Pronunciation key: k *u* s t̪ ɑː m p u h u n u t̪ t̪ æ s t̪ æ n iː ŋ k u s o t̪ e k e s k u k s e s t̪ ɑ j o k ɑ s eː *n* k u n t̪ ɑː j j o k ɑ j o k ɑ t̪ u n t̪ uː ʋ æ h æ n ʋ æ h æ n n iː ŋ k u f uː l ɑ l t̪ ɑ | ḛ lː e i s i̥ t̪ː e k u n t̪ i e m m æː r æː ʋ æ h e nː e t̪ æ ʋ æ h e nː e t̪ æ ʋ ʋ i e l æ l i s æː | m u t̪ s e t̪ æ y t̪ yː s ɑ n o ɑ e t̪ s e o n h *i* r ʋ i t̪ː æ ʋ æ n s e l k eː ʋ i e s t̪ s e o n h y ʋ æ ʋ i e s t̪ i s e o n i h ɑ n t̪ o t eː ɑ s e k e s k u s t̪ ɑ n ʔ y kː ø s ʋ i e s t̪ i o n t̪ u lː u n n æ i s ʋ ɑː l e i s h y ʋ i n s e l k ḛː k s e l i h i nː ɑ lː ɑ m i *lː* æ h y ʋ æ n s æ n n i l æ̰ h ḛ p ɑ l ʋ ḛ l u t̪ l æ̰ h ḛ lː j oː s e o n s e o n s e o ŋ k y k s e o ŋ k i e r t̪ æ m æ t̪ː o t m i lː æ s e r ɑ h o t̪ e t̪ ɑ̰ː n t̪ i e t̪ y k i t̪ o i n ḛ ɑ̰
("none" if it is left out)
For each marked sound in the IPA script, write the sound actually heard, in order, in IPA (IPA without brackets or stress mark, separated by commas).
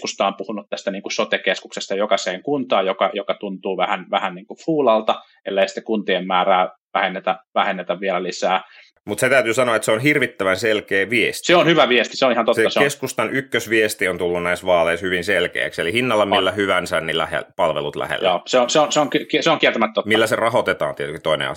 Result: u, ŋ, i, lː